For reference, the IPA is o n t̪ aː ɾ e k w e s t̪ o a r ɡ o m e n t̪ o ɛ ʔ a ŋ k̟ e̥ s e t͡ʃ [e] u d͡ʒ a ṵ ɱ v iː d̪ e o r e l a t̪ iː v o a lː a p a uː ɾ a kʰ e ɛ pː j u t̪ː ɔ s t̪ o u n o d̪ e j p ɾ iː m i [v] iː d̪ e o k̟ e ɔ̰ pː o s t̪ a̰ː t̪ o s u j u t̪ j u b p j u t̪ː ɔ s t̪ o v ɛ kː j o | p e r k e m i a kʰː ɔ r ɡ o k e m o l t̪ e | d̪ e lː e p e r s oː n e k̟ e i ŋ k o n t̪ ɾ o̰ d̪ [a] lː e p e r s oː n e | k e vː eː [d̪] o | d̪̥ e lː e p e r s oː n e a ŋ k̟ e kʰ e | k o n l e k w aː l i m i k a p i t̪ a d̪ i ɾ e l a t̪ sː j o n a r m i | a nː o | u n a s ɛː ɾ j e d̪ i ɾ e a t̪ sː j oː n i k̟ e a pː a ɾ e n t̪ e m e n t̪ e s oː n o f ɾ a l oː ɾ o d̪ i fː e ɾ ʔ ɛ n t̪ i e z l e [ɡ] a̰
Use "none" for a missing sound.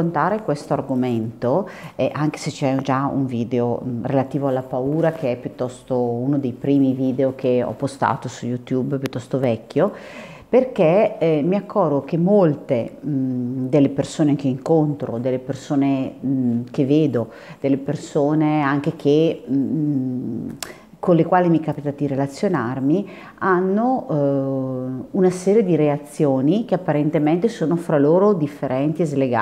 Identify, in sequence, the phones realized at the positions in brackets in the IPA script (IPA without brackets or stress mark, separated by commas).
ɛ, v, e, d̪, ɡ